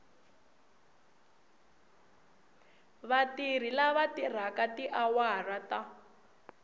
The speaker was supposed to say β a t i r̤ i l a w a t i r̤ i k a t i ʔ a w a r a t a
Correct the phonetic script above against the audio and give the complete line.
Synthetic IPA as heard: β a t i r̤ i l a β a t i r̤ a k a t i ʔ a w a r a t a